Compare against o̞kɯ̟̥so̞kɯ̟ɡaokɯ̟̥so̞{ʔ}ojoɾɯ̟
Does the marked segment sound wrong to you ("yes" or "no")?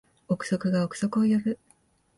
yes